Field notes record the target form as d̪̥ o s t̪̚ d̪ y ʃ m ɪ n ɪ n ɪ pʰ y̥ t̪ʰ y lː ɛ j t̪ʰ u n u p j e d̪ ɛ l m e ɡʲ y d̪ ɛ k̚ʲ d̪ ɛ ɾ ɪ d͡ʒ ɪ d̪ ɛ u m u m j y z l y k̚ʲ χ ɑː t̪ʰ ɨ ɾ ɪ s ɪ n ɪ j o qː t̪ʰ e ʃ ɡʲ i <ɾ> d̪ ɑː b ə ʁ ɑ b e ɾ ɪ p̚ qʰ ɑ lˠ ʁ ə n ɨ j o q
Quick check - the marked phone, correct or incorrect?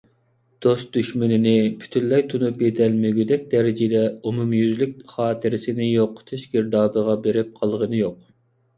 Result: correct